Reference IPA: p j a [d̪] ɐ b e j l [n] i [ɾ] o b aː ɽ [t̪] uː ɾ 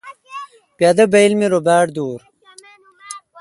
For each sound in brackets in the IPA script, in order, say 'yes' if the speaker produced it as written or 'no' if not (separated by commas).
yes, no, yes, no